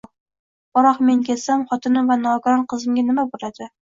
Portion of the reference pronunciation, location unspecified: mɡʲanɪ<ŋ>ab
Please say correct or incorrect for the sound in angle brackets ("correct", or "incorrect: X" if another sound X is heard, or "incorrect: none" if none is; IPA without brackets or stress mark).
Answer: incorrect: m